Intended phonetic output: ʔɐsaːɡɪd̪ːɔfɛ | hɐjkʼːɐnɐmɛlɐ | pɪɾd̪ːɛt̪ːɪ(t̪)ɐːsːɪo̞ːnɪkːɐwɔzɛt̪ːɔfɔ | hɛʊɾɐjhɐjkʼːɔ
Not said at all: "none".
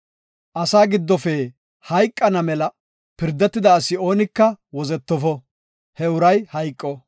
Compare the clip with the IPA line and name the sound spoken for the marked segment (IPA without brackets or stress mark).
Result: d̪